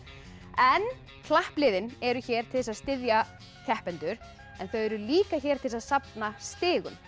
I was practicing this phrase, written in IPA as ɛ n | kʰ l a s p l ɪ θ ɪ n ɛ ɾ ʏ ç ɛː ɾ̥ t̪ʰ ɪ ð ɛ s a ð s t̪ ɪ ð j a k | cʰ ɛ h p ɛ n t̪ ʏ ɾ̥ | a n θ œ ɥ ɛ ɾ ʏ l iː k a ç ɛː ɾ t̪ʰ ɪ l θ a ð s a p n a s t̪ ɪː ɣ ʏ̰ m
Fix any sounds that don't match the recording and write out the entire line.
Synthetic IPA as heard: ɛ n | kʰ l a h p l ɪ ð ɪ n ɛ ɾ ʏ ç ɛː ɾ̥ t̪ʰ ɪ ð ɛ s a ð s t̪ ɪ ð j a | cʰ ɛ h p ɛ n t̪ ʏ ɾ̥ | ɛ n θ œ ɥ ɛ ɾ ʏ l iː k a ç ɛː ɾ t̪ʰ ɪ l s a ð s a p n a s t̪ ɪː ɣ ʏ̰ m